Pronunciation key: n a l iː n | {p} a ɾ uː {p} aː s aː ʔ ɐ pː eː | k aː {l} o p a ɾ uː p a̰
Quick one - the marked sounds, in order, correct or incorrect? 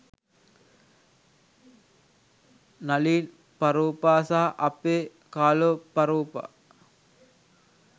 correct, correct, correct

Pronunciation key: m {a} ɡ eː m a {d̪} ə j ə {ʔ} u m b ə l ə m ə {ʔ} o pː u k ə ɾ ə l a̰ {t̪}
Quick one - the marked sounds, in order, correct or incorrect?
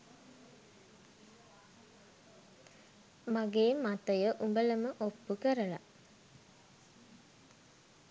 correct, incorrect, correct, correct, incorrect

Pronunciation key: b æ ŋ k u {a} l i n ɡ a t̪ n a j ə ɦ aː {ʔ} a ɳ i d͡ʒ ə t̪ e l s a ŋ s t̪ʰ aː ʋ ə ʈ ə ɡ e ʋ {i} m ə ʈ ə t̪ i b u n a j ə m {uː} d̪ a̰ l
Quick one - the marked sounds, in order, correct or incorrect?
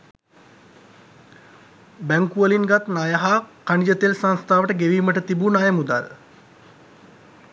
incorrect, incorrect, incorrect, incorrect

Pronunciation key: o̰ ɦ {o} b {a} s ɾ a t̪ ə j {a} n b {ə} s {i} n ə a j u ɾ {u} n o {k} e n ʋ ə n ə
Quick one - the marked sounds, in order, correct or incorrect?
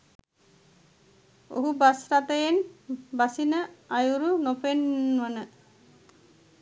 incorrect, correct, incorrect, incorrect, correct, correct, incorrect

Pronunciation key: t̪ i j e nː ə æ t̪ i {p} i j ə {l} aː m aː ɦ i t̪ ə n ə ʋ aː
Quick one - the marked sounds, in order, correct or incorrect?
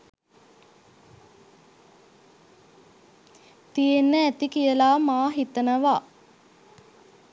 incorrect, correct

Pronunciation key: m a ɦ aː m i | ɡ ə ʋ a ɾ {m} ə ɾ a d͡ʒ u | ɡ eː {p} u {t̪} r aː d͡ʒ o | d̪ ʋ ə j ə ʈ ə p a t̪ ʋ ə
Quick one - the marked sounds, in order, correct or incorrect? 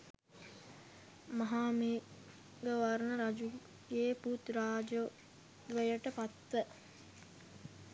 incorrect, correct, correct

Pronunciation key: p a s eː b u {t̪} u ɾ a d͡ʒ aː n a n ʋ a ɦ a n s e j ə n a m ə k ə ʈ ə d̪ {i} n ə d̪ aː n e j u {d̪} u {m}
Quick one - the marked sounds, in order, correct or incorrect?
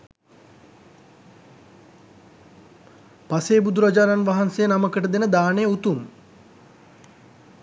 incorrect, incorrect, incorrect, correct

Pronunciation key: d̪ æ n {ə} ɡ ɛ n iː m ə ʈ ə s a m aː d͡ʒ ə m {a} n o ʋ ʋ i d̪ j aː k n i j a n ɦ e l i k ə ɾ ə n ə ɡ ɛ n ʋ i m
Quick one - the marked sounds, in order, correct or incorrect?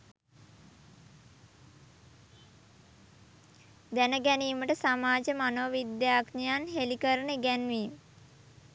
correct, correct

